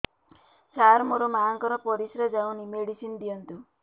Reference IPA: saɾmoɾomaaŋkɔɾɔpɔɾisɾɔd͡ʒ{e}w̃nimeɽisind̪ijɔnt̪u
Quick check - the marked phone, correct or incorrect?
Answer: incorrect